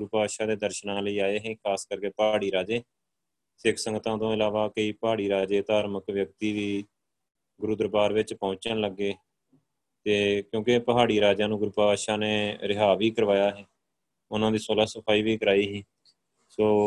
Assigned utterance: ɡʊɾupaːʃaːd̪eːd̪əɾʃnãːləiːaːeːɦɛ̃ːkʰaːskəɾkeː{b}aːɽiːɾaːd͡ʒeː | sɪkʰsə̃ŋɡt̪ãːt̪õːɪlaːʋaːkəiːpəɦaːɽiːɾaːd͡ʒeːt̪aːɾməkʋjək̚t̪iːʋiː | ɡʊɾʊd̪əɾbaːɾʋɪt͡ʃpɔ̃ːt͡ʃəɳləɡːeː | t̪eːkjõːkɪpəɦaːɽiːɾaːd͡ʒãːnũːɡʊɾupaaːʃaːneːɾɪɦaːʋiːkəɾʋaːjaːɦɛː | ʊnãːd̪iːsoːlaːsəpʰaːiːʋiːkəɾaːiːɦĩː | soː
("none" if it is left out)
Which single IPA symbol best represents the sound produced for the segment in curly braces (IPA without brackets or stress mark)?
p